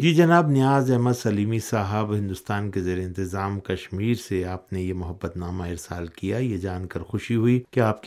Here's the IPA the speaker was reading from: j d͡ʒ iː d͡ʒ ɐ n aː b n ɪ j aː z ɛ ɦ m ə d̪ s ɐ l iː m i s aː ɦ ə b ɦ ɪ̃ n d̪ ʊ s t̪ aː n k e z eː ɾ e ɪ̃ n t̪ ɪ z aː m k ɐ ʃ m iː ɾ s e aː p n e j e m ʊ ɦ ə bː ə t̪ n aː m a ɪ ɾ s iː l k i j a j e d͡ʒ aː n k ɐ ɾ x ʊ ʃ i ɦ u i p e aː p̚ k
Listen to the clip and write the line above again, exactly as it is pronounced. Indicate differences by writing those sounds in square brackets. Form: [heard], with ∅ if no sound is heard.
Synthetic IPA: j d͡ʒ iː d͡ʒ ɐ n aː b n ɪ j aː z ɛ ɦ m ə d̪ s ɐ l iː m i s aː ɦ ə b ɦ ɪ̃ n d̪ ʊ s t̪ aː n k e z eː ɾ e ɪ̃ n t̪ ɪ z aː m k ɐ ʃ m iː ɾ s e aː p n e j e m ʊ ɦ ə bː ə t̪ n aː m a ɪ ɾ s [aː] l k i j a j e d͡ʒ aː n k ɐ ɾ x ʊ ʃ i ɦ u i [k] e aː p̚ k